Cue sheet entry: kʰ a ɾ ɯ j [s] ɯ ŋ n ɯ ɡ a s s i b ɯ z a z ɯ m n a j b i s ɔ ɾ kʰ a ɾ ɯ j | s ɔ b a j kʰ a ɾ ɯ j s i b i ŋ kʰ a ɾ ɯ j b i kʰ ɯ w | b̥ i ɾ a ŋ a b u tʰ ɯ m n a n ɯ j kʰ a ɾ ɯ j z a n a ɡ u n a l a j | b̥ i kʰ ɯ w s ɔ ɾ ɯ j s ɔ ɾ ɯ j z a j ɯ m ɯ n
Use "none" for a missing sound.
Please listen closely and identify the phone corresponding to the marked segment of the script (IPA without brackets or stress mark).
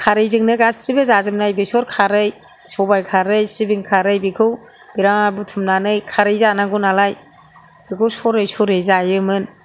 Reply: z